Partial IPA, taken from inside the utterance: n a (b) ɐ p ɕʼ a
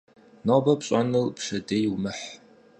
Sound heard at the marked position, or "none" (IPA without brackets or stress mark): b